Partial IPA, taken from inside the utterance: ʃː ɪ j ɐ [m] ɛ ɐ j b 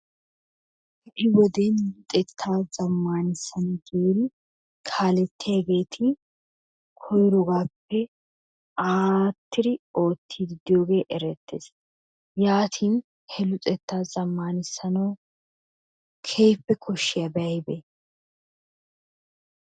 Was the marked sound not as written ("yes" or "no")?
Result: yes